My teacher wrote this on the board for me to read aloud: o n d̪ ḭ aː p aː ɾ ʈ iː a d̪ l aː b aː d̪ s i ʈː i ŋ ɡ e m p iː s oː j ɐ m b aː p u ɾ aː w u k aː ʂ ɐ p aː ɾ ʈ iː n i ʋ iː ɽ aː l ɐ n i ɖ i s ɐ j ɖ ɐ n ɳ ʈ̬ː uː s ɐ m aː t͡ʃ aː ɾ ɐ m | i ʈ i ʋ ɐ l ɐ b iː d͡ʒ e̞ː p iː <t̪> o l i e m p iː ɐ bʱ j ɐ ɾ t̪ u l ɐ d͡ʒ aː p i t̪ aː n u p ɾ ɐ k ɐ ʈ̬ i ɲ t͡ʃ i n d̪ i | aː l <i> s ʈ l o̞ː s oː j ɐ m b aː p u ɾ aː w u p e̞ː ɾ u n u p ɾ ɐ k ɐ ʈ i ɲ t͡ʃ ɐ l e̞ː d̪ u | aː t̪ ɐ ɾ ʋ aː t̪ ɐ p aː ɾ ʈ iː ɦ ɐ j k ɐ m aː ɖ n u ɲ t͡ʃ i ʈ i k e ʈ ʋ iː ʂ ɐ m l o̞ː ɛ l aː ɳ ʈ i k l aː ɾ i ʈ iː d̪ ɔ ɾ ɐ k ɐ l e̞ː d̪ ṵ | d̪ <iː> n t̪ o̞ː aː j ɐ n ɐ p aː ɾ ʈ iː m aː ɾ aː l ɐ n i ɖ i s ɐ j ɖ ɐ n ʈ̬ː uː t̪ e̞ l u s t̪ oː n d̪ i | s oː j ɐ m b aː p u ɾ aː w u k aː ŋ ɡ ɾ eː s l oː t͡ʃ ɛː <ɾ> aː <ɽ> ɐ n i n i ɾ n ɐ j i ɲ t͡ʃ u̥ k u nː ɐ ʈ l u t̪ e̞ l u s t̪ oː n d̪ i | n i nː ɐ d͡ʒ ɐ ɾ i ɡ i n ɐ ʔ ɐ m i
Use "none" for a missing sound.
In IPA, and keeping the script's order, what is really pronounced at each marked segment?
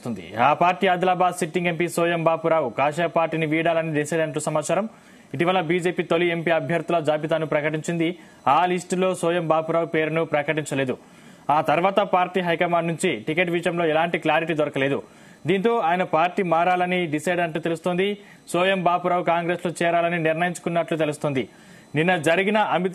t̪, i, iː, ɾ, l

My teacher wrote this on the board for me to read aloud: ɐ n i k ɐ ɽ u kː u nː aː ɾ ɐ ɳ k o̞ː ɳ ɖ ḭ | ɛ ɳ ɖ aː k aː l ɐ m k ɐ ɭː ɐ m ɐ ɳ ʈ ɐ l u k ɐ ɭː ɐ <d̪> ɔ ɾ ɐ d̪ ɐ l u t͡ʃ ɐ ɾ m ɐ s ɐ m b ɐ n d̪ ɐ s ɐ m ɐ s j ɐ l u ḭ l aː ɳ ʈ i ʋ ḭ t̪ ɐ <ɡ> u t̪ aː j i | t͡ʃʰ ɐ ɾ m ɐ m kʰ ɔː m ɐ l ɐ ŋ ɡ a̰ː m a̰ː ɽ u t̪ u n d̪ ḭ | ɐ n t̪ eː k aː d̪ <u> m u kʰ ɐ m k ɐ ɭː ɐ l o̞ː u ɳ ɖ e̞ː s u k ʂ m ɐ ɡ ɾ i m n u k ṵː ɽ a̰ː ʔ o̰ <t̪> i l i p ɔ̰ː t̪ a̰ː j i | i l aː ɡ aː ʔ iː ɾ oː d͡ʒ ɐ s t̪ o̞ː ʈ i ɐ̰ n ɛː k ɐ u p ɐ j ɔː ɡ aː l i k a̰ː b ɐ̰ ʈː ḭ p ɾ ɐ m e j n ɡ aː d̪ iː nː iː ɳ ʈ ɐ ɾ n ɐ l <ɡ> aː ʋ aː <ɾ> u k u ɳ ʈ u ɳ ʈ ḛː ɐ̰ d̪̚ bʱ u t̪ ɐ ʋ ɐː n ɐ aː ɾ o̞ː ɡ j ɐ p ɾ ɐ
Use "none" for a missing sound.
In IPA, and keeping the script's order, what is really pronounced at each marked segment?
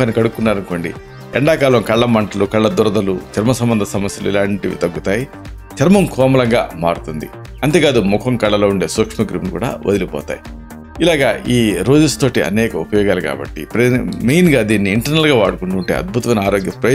d̪, ɡː, u, d̪, ɡ, ɽ

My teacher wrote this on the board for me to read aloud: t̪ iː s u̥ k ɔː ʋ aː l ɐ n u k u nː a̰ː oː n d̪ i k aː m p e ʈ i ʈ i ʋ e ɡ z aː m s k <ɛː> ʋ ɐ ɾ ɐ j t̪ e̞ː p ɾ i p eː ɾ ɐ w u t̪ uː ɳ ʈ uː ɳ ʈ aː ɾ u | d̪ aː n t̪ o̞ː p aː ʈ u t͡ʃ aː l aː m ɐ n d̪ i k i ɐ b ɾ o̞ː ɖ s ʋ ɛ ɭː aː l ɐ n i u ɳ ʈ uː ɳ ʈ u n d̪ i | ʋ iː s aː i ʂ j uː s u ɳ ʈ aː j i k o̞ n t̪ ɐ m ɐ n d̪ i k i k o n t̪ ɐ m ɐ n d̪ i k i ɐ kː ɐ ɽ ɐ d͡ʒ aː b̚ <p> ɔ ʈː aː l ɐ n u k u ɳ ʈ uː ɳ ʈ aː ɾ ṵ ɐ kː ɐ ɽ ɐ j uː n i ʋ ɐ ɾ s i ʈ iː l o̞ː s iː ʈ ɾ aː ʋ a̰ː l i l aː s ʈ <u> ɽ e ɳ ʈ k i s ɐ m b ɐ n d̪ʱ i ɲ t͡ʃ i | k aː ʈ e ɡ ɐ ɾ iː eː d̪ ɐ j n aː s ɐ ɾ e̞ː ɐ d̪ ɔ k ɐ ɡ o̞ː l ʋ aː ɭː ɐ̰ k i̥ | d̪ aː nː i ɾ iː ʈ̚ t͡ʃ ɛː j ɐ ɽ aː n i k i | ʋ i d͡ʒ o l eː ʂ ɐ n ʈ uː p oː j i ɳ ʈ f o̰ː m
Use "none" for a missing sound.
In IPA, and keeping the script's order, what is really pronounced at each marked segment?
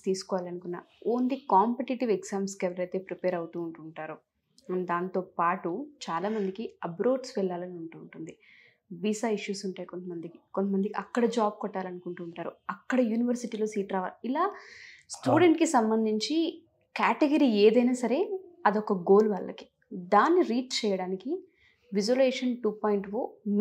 ɛ, k, uː

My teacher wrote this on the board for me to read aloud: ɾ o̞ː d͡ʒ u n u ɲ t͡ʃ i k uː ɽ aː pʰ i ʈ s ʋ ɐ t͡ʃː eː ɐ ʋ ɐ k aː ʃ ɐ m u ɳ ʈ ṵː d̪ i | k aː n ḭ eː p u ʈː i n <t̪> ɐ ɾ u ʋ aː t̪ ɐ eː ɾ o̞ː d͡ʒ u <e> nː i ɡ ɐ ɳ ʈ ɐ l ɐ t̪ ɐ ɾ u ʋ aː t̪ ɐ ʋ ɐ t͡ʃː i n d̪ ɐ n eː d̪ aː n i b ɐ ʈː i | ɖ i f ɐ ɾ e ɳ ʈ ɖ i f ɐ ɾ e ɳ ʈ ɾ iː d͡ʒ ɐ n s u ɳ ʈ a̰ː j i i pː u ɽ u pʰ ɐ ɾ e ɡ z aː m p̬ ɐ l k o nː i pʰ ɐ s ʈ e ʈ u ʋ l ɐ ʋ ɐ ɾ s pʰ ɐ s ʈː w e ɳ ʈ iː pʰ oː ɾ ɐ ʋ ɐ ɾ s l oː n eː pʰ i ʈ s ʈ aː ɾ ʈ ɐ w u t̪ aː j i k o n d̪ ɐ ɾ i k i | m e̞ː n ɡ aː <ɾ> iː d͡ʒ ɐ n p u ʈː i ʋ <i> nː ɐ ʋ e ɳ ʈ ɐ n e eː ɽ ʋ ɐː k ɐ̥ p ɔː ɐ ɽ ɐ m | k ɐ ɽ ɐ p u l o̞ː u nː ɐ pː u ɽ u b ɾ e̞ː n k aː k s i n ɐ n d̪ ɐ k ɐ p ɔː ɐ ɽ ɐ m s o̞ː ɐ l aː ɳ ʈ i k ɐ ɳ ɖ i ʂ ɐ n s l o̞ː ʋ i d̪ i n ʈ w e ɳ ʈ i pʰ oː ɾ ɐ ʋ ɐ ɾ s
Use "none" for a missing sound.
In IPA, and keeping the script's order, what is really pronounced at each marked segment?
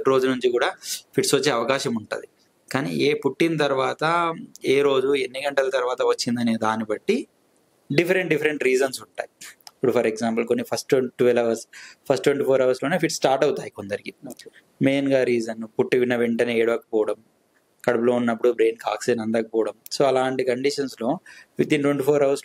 t̪, e, ɾ, i

